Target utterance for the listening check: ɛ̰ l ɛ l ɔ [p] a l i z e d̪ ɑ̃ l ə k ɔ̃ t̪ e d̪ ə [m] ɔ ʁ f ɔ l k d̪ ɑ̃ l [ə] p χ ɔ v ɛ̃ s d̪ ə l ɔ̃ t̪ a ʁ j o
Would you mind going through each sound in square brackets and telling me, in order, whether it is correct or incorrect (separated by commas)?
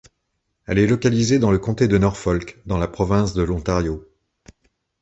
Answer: incorrect, incorrect, incorrect